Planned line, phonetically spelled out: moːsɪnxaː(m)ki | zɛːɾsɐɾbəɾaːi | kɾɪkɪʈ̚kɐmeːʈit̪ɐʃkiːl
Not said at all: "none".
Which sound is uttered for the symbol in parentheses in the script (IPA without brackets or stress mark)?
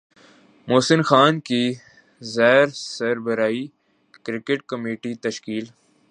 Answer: n